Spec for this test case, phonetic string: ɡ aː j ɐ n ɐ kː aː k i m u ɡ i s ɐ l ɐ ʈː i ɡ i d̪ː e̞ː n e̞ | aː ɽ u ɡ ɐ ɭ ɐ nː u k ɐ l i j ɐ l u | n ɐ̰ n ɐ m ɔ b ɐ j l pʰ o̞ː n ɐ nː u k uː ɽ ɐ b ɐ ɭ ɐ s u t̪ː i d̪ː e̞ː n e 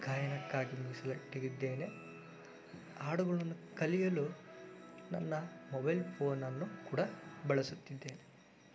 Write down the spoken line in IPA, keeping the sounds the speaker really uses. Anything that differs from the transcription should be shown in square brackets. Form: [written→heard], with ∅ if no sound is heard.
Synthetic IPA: ɡ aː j ɐ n ɐ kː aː [k→ɡ] i m u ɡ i s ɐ l ɐ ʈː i ɡ i d̪ː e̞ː n e̞ | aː ɽ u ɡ ɐ ɭ ɐ nː u k ɐ l i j ɐ l u | n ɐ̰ [n→nː] ɐ m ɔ b ɐ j l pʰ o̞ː n ɐ nː u k uː ɽ ɐ b ɐ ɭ ɐ s u t̪ː i d̪ː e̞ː n e

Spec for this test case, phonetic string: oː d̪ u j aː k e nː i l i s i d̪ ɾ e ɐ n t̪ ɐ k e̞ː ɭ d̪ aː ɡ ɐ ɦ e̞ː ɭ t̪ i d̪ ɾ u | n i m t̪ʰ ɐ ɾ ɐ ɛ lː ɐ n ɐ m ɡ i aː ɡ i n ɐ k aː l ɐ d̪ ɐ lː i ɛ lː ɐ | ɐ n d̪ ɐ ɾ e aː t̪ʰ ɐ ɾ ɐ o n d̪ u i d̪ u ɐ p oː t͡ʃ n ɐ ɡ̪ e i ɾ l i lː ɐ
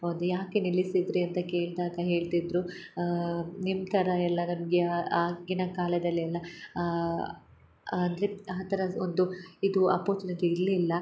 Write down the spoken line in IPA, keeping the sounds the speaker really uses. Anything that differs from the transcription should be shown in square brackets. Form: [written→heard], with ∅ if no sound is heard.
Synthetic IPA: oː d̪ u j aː k e [nː→n] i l i s i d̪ ɾ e ɐ n t̪ ɐ k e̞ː ɭ d̪ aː ɡ ɐ ɦ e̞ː ɭ t̪ i d̪ ɾ u | n i m t̪ʰ ɐ ɾ ɐ ɛ lː ɐ n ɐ m ɡ [i→e] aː ɡ i n ɐ k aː l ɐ d̪ ɐ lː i ɛ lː ɐ | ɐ n d̪ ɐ ɾ e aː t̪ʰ ɐ ɾ ɐ o n d̪ u i d̪ u ɐ p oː t͡ʃ n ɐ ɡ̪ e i ɾ l i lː ɐ

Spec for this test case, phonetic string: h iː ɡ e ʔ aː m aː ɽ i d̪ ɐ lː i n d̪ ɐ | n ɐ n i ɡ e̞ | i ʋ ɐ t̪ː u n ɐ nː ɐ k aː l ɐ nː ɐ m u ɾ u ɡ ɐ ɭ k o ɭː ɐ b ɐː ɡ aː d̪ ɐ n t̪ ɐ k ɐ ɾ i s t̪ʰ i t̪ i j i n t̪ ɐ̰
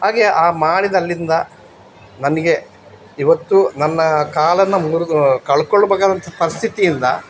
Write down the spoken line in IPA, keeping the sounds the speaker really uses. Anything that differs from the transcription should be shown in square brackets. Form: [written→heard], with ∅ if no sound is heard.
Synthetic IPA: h [iː→aː] ɡ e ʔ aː m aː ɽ i d̪ ɐ lː i n d̪ ɐ | n ɐ n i ɡ e̞ | i ʋ ɐ t̪ː u n ɐ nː ɐ k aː l ɐ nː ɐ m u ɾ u [ɡ→k] ɐ ɭ k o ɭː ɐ b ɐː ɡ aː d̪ ɐ n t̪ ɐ [k→p] ɐ ɾ i s t̪ʰ i t̪ i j i n [t̪→d̪] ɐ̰

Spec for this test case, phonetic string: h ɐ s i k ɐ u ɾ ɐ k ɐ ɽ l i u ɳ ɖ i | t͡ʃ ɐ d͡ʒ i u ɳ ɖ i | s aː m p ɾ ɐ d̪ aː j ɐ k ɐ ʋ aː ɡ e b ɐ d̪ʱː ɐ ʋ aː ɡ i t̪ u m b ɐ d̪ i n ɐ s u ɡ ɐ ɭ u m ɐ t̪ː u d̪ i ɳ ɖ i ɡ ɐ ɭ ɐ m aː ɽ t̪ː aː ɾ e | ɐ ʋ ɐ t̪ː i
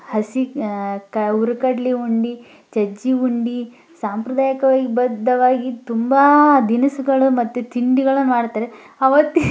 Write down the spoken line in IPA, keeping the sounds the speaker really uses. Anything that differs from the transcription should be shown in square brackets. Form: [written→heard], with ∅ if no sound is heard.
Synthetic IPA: h ɐ s i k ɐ u ɾ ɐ k ɐ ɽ l i u ɳ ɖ i | t͡ʃ ɐ d͡ʒ i u ɳ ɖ i | s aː m p ɾ ɐ d̪ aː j ɐ k ɐ ʋ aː ɡ [e→i] b ɐ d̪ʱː ɐ ʋ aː ɡ i t̪ u m b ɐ d̪ i n ɐ s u ɡ ɐ ɭ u m ɐ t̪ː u [d̪→t̪] i ɳ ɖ i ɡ ɐ ɭ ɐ m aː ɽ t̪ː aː ɾ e | ɐ ʋ ɐ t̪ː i

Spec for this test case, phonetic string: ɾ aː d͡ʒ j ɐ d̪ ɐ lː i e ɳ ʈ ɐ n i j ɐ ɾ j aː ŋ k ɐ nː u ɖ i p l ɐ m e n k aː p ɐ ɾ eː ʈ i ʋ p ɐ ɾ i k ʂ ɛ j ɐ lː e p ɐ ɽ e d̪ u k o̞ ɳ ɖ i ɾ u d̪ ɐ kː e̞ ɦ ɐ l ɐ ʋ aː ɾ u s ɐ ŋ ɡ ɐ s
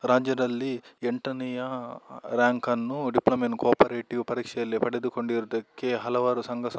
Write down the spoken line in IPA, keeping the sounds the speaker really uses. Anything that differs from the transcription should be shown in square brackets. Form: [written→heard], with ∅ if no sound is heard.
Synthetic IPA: ɾ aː d͡ʒ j ɐ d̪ ɐ lː i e ɳ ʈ ɐ n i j ɐ ɾ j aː ŋ k ɐ nː u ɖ i p l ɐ m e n k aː p ɐ ɾ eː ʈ i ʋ p ɐ ɾ [i→iː] k ʂ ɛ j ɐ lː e p ɐ ɽ e d̪ u k o̞ ɳ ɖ i ɾ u d̪ ɐ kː e̞ ɦ ɐ l ɐ ʋ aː ɾ u s ɐ ŋ ɡ ɐ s

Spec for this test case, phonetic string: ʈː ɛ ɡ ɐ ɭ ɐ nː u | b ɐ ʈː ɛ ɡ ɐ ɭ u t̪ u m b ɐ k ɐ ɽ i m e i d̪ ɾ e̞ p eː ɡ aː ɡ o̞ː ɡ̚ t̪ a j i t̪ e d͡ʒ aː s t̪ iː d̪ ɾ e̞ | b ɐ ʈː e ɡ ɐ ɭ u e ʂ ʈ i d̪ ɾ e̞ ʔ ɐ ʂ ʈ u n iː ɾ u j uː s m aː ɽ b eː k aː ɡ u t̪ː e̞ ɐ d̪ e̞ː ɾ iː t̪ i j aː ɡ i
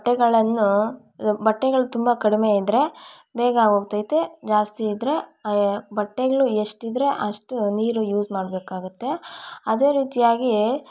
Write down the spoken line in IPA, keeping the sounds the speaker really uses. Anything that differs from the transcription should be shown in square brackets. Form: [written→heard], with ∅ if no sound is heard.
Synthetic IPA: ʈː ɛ ɡ ɐ ɭ ɐ nː u | b ɐ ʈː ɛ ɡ ɐ ɭ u t̪ u m b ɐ k ɐ ɽ i m e i d̪ ɾ e̞ [p→b] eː ɡ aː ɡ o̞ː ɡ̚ t̪ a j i t̪ e d͡ʒ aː s t̪ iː d̪ ɾ e̞ | b ɐ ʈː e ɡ ɐ ɭ u e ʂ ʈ i d̪ ɾ e̞ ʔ ɐ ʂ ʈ u n iː ɾ u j uː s m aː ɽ b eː k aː ɡ u t̪ː e̞ ɐ d̪ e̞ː ɾ iː t̪ i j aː ɡ i

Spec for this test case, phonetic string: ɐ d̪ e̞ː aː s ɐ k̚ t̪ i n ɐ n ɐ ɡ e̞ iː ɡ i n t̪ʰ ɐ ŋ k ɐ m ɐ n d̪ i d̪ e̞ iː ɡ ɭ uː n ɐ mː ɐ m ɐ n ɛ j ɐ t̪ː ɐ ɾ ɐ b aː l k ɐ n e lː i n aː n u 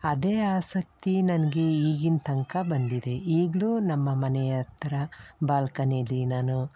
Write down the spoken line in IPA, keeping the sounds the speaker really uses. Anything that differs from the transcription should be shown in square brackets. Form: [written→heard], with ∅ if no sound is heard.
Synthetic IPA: ɐ d̪ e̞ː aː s ɐ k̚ t̪ i n ɐ n ɐ ɡ e̞ iː ɡ i n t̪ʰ ɐ ŋ k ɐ [m→b] ɐ n d̪ i d̪ e̞ iː ɡ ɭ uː n ɐ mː ɐ m ɐ n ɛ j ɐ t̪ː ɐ ɾ ɐ b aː l k ɐ n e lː i n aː n u

